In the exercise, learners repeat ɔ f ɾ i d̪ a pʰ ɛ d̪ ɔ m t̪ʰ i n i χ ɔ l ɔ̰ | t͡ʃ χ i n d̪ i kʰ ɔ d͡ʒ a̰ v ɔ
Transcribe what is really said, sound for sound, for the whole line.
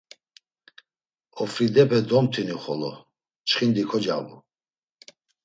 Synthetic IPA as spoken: ɔ f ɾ i d̪ ɛ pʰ ɛ d̪ ɔ m t̪ʰ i n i χ ɔ l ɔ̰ | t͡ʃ χ i n d̪ i kʰ ɔ d͡ʒ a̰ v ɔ